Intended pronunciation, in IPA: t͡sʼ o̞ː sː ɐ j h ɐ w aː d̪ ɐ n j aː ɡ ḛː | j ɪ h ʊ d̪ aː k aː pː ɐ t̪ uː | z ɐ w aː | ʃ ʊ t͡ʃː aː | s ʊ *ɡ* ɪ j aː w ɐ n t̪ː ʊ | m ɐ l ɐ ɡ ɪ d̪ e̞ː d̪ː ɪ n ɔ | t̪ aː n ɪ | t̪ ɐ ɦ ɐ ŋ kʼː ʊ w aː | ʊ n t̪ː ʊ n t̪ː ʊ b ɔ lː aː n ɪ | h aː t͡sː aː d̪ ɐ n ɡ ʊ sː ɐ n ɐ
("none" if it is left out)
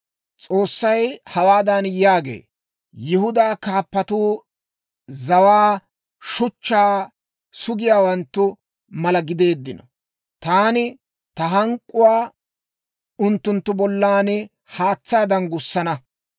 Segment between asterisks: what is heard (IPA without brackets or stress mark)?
ɡ